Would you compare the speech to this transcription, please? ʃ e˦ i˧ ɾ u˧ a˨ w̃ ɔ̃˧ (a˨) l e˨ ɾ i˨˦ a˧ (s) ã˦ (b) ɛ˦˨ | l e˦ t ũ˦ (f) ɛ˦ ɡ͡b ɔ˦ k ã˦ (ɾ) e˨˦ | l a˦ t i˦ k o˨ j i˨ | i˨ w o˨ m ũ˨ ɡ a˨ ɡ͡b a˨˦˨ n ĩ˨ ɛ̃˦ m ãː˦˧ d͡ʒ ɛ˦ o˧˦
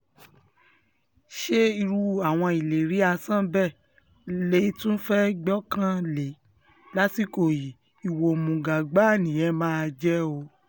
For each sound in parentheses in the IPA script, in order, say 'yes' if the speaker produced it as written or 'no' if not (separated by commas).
no, yes, yes, yes, no